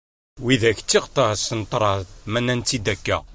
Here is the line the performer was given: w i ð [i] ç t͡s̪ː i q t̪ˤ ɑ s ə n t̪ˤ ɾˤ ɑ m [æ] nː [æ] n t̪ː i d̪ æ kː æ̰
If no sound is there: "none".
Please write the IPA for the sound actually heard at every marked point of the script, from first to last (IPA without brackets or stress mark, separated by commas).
æ, æ, æ